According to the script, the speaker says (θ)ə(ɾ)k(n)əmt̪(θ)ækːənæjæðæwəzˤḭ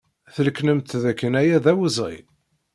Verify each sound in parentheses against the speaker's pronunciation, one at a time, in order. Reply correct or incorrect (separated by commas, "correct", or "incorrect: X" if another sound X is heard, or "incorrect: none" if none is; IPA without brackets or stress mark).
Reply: correct, incorrect: l, correct, incorrect: ð